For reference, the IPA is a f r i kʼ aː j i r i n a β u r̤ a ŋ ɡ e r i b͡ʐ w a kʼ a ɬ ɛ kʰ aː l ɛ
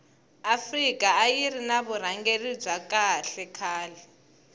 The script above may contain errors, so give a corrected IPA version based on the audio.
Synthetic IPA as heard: a f r i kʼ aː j i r i n a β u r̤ a ŋ ɡ e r i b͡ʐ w a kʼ a ɬ ɛ kʰ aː l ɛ